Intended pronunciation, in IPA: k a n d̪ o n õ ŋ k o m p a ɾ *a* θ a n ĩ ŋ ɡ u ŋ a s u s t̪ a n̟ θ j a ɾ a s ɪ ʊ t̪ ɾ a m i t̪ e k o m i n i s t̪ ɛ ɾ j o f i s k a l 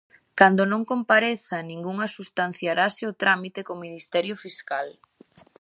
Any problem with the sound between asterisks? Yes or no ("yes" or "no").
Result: yes